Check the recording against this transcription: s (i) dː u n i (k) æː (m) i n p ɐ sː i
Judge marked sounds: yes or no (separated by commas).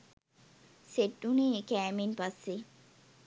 no, yes, yes